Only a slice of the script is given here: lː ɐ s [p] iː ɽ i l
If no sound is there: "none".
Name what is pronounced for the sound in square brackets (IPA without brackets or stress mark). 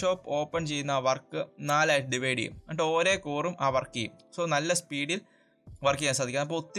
p